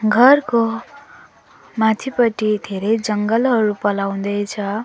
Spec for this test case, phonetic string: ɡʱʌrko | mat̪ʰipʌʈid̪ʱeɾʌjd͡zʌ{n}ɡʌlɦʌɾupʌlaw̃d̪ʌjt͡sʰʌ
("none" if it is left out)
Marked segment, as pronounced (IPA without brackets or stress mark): ŋ